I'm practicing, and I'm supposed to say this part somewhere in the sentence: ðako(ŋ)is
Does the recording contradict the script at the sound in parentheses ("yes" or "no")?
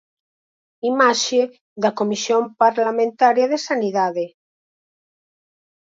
yes